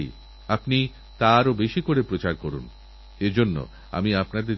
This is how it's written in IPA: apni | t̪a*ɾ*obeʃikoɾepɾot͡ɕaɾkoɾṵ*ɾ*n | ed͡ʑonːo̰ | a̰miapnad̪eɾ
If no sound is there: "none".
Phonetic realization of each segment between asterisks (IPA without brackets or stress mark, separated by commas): ɾ, none